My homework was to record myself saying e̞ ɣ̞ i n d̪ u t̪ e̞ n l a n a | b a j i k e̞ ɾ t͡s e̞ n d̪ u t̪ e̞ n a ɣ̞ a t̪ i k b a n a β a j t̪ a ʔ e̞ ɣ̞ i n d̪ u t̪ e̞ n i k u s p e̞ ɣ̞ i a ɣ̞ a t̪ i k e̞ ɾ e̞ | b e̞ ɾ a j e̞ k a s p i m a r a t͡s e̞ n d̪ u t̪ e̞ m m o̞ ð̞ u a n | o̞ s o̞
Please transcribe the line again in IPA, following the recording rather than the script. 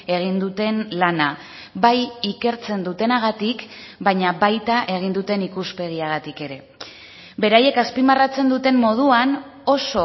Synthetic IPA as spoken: e̞ ɣ̞ i n d̪ u t̪ e̞ n l a n a | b a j i k e̞ ɾ t͡s e̞ n d̪ u t̪ e̞ n a ɣ̞ a t̪ i k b a ɲ a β a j t̪ a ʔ e̞ ɣ̞ i n d̪ u t̪ e̞ n i k u s p e̞ ɣ̞ i a ɣ̞ a t̪ i k e̞ ɾ e̞ | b e̞ ɾ a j e̞ k a s p i m a r a t͡s e̞ n d̪ u t̪ e̞ m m o̞ ð̞ u a n | o̞ s o̞